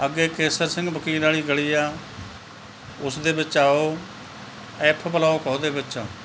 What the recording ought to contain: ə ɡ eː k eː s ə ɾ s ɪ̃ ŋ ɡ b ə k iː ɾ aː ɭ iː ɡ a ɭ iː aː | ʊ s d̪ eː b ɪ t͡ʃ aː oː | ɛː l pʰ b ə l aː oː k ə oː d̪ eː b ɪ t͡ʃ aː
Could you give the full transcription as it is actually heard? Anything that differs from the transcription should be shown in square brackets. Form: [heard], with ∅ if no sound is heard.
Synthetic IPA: ə ɡ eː k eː s ə ɾ s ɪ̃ ŋ ɡ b ə k iː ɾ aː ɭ iː ɡ [ə] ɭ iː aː | ʊ s d̪ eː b ɪ t͡ʃ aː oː | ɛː [∅] pʰ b ə l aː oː k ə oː d̪ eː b ɪ t͡ʃ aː